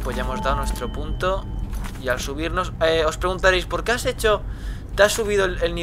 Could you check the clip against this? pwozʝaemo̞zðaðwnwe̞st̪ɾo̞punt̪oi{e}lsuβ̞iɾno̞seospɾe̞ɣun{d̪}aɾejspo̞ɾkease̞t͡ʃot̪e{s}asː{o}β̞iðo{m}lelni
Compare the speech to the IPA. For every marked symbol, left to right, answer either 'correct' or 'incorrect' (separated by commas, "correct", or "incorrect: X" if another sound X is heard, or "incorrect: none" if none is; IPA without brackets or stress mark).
incorrect: a, incorrect: t̪, incorrect: none, incorrect: u, incorrect: none